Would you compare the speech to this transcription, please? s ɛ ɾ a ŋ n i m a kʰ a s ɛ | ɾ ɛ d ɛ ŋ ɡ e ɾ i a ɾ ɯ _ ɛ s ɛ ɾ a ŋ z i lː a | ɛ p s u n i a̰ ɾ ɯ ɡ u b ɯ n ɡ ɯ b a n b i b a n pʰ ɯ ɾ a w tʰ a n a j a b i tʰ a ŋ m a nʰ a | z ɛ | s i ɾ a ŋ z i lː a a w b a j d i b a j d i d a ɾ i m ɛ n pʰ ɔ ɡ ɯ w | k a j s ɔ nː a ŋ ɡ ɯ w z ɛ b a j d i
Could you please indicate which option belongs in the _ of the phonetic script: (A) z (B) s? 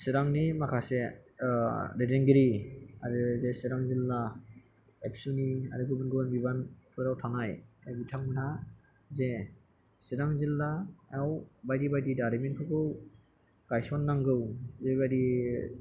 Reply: A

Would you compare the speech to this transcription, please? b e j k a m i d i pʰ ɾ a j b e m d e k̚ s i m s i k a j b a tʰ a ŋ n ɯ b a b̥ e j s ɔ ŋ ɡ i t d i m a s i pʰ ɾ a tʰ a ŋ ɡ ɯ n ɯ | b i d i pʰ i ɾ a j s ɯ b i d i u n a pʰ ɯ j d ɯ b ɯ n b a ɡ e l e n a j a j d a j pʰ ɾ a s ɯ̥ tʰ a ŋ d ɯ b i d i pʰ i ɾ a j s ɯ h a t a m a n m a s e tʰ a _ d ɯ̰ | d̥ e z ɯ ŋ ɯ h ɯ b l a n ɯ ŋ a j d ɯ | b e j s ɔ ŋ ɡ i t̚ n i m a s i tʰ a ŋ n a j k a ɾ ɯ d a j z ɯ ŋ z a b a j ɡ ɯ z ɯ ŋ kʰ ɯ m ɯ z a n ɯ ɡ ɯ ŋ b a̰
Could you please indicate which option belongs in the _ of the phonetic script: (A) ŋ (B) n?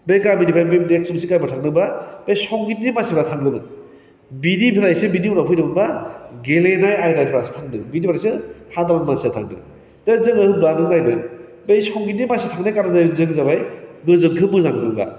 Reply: A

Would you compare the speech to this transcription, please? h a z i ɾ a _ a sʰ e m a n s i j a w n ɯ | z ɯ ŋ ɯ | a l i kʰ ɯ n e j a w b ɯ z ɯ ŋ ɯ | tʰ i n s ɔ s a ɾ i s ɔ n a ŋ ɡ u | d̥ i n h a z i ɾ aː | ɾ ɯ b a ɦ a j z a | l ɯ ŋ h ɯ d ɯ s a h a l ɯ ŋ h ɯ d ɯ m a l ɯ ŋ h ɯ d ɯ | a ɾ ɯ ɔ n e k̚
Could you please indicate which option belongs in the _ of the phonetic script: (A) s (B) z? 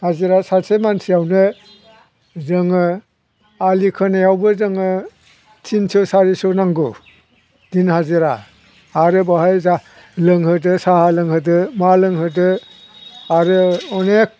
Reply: A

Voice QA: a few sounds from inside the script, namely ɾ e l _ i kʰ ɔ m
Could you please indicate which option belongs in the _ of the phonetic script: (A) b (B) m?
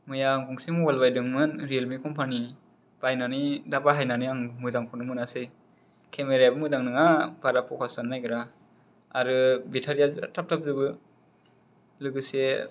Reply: B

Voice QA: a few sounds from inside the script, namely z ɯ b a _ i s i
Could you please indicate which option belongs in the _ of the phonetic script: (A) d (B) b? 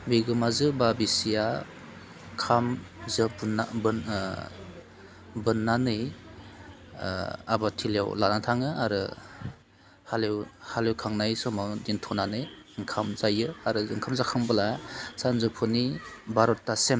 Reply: B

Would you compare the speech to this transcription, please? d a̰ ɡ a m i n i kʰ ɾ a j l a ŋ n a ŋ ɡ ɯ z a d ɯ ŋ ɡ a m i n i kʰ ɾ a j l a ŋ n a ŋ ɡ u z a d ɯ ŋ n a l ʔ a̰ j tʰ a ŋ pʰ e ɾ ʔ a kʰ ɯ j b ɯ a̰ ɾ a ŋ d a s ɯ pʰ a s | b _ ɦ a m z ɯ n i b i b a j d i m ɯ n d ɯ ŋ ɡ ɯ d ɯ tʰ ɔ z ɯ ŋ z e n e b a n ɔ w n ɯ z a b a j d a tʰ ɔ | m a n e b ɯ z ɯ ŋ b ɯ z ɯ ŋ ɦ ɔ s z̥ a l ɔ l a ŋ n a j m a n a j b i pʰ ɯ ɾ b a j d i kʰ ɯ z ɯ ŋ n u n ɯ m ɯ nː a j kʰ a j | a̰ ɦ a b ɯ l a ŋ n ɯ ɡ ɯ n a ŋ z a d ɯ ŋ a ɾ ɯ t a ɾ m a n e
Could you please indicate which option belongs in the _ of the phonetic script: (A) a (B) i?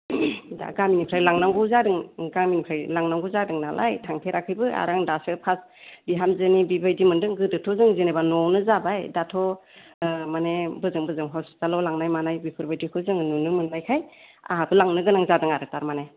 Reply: B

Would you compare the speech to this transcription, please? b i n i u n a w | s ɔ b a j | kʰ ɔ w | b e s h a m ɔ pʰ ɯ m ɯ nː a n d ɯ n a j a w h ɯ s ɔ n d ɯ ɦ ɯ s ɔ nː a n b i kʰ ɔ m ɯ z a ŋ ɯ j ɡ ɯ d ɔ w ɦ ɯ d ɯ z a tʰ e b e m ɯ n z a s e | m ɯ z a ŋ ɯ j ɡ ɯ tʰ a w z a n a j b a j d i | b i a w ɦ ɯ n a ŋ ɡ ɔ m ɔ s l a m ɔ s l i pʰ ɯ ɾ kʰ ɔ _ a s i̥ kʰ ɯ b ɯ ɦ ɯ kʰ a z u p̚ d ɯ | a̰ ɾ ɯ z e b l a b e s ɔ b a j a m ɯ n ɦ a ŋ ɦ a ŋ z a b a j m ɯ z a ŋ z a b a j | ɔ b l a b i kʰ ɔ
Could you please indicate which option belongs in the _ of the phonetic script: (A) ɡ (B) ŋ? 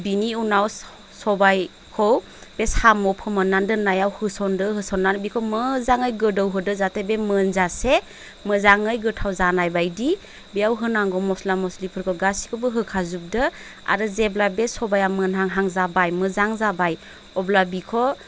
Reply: A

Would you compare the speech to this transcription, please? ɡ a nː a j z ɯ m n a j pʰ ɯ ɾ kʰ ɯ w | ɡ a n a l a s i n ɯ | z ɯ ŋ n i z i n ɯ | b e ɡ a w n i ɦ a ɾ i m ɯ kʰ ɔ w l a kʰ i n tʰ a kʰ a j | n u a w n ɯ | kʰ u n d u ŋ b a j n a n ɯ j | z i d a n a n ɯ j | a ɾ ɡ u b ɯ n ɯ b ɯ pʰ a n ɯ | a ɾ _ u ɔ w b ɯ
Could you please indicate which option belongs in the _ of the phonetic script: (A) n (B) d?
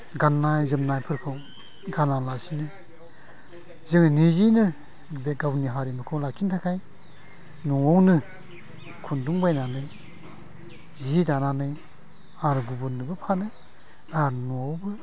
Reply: A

